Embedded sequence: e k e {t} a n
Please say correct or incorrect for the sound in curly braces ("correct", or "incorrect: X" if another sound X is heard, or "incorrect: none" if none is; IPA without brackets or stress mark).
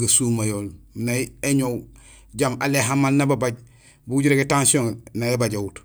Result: correct